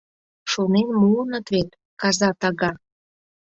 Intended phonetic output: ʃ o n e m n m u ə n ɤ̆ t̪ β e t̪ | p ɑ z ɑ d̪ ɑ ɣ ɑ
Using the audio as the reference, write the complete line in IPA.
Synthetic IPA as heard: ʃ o n e n m u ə n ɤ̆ t̪ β e t̪ | k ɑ z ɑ t̪ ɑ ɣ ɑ